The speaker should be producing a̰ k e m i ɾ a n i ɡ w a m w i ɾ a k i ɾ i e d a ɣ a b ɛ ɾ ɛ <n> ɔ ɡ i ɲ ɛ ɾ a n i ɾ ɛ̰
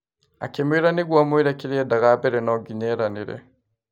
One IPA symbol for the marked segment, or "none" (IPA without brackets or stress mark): n